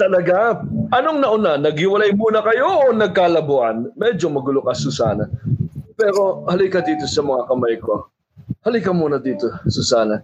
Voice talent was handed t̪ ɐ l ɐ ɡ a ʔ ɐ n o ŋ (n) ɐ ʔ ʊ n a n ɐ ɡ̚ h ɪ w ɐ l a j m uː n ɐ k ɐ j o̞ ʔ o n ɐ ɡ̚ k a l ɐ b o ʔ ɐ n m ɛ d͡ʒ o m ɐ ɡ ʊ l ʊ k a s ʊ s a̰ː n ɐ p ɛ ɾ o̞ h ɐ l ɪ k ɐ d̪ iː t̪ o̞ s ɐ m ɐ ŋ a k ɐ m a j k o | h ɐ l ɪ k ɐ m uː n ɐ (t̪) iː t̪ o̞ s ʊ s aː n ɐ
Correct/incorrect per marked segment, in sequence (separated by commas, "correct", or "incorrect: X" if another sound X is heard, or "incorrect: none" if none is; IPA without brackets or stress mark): correct, incorrect: d̪